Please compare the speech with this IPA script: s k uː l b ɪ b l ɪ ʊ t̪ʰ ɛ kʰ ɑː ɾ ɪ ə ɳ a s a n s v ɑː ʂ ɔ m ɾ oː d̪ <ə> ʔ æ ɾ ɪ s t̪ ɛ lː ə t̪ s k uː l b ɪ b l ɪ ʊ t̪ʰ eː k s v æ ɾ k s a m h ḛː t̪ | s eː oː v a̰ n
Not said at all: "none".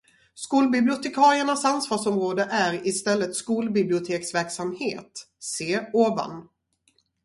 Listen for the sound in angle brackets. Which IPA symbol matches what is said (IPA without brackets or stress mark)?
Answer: ə